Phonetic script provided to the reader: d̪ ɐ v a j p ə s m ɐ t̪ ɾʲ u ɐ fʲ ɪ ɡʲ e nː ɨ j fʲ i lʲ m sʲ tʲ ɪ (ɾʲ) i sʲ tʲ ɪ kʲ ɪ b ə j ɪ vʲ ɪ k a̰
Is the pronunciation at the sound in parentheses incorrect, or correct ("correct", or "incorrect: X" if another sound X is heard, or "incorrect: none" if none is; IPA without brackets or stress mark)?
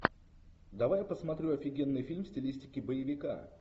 incorrect: lʲ